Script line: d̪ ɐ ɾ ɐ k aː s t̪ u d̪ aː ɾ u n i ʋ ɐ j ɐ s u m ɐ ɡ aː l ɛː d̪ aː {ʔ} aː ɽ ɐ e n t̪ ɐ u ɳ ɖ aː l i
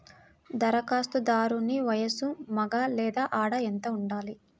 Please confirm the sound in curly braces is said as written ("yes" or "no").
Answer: yes